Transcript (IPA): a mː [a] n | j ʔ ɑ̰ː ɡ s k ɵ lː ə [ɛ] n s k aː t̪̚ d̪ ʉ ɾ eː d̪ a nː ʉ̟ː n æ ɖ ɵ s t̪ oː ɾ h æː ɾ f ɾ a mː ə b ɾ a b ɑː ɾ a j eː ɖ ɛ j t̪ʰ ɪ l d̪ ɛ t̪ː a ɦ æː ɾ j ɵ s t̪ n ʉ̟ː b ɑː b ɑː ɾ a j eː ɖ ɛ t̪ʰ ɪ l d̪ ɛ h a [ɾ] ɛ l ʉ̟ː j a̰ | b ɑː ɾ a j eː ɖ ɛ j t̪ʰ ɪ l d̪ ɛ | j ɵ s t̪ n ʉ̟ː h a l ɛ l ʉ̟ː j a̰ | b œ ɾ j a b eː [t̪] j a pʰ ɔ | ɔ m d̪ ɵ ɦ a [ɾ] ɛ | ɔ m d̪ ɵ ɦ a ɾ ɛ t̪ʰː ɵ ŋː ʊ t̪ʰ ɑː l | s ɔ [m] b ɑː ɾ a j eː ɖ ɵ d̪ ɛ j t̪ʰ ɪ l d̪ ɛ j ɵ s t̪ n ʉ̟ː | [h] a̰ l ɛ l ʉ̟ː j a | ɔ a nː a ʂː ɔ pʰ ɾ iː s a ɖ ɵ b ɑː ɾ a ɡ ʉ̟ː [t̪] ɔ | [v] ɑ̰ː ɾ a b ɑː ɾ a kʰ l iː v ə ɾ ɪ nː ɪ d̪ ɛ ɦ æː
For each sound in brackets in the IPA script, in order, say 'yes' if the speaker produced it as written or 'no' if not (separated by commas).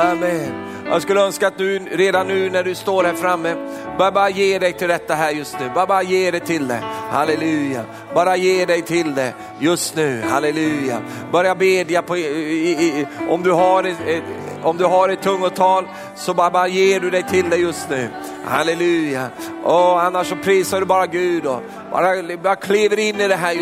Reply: no, no, no, no, yes, no, yes, no, no